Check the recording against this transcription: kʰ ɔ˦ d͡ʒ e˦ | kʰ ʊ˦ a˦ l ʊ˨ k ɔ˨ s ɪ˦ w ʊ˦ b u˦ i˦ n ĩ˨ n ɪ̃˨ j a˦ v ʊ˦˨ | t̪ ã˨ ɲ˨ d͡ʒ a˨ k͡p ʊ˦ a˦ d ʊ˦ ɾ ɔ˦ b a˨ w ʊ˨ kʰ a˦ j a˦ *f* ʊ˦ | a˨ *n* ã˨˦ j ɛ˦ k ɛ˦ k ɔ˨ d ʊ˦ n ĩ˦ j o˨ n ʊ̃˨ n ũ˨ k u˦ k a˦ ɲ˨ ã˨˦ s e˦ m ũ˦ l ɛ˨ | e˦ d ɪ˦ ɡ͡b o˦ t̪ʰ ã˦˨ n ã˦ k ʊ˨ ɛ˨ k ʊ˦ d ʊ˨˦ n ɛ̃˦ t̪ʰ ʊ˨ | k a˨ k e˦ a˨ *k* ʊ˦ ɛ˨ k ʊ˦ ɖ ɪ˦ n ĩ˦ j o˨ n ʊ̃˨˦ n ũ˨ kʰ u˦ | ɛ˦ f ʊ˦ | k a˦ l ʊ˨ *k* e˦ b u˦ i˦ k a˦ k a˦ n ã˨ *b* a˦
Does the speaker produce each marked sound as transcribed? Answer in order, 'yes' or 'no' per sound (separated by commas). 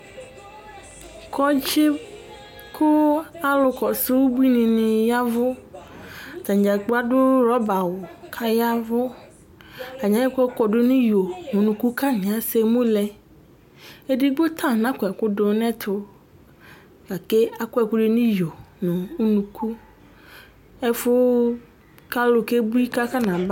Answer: no, no, yes, yes, yes